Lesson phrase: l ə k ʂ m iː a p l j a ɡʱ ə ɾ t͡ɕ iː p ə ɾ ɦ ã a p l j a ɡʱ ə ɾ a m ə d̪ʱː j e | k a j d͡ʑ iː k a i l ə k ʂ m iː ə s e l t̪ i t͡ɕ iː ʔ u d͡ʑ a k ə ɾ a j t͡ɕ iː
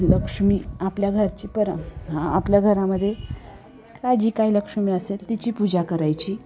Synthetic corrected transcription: l ə k ʂ m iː a p l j a ɡʱ ə ɾ t͡ɕ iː p ə ɾ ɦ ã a p l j a ɡʱ ə ɾ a m ə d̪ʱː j e | k a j d͡ʑ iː k a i l ə k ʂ m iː ə s e l t̪ i t͡ɕ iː p u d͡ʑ a k ə ɾ a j t͡ɕ iː